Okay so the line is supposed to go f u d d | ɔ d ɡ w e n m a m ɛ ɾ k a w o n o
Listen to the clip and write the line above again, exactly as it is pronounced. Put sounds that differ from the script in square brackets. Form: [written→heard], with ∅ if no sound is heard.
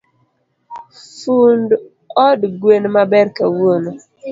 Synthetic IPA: f u [d→n] d | ɔ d ɡ w e n m a [m→b] ɛ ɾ k a w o n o